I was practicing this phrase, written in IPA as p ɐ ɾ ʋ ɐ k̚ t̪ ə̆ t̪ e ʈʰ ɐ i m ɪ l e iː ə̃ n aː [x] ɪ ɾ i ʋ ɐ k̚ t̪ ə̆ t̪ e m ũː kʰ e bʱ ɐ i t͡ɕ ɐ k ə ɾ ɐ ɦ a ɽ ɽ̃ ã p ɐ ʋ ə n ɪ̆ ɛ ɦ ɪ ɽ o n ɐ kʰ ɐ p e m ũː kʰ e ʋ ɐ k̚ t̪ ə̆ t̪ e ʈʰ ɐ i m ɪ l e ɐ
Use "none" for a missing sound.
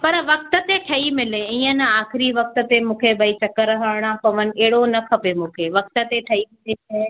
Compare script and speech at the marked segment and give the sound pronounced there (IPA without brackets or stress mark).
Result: x